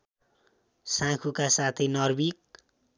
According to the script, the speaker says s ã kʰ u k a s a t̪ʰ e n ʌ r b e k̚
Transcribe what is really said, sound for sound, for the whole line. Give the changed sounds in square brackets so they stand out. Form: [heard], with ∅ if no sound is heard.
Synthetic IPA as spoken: s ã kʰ u k a s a t̪ʰ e n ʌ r b [i] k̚